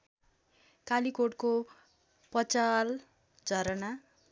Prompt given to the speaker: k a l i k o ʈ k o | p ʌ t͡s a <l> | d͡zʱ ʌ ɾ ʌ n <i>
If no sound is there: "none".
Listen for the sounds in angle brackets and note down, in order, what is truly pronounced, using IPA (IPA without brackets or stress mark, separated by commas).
l, a